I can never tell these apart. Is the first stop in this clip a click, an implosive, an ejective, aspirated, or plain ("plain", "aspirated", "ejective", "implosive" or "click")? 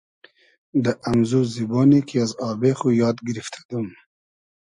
plain